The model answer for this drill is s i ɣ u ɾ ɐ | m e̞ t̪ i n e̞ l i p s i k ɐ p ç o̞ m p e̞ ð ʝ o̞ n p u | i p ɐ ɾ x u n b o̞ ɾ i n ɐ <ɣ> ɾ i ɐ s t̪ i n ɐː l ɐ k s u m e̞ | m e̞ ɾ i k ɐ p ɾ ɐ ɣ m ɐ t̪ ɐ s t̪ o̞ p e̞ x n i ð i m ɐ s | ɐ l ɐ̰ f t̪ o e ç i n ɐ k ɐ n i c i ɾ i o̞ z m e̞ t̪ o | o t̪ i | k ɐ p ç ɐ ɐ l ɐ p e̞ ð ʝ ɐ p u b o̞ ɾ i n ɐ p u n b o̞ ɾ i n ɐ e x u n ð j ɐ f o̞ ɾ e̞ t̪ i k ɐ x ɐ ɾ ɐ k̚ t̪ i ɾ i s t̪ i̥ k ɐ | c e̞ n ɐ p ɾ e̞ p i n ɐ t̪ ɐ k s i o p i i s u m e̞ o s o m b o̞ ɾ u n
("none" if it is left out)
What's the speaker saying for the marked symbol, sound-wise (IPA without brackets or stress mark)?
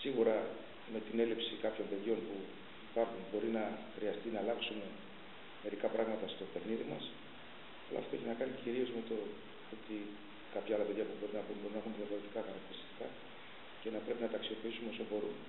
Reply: x